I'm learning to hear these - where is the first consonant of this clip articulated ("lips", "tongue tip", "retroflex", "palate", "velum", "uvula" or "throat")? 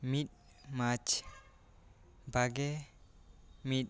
lips